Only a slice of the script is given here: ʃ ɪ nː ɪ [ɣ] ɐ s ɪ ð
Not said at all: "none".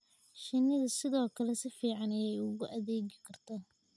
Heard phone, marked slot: ð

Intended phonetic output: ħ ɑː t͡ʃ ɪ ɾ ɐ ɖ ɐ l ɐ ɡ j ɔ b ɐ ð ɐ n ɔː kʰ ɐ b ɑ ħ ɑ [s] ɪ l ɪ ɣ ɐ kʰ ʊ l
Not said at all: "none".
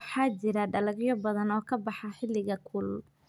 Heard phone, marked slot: ħ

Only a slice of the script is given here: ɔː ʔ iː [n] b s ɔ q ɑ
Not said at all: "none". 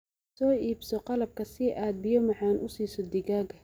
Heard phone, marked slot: none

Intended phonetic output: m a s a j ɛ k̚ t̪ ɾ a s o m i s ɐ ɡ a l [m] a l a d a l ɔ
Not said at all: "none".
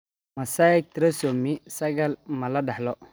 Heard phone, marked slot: m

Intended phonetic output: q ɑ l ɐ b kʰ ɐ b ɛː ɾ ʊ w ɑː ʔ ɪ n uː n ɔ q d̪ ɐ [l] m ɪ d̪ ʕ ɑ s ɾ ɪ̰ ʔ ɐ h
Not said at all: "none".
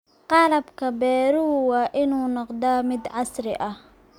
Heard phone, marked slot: none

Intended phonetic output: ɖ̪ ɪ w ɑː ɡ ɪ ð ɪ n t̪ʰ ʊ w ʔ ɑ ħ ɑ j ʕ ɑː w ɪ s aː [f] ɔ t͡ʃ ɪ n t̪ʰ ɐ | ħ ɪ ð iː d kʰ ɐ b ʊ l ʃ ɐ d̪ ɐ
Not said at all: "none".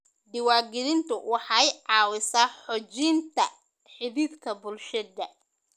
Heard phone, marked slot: ħ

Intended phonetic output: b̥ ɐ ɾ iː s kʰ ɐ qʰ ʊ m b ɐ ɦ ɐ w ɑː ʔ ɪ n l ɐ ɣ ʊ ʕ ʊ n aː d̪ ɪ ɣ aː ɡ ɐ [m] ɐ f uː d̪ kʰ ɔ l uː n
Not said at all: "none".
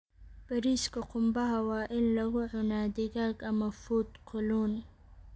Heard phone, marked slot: m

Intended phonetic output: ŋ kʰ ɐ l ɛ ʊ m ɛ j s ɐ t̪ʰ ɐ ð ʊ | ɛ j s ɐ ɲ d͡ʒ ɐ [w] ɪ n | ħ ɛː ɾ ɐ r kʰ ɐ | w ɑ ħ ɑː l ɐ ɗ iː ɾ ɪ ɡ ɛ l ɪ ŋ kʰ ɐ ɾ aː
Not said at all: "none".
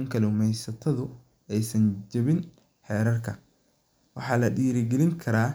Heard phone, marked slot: β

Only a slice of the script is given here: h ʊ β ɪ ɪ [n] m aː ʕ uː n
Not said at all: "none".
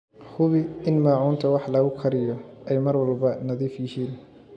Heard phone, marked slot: n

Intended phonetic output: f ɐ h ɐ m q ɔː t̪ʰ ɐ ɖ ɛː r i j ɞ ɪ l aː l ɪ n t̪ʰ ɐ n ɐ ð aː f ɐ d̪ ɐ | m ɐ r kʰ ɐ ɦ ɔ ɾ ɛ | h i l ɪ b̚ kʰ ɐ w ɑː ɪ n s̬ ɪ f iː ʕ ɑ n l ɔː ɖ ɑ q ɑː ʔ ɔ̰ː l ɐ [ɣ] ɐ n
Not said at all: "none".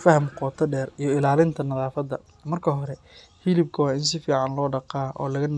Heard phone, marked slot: ɣ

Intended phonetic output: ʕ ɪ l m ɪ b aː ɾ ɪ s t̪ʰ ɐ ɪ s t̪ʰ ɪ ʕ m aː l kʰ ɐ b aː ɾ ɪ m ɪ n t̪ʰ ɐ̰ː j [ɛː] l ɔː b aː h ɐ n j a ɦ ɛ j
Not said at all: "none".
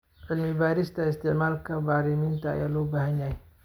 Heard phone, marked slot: aː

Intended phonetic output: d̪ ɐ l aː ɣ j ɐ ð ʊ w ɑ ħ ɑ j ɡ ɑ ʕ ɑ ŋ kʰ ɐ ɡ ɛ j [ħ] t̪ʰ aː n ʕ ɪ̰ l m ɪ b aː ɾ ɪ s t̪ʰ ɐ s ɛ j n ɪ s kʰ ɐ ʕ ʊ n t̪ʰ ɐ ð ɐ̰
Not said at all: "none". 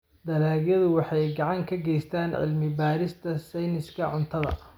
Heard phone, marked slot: s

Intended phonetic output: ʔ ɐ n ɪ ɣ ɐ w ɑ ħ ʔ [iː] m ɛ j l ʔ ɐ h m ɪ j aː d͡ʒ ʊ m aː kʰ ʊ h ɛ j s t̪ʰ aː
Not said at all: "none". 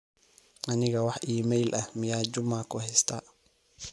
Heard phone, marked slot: iː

